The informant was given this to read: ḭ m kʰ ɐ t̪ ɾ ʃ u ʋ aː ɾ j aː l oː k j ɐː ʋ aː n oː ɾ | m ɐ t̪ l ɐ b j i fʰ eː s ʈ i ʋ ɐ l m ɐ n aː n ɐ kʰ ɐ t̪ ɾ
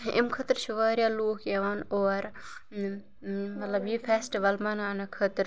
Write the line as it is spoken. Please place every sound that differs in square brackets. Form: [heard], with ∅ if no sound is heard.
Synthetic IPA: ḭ m kʰ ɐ t̪ ɾ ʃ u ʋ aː ɾ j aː l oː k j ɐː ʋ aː n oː ɾ | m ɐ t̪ l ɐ b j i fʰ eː s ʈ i ʋ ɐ l m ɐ n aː n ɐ kʰ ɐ t̪ ɾ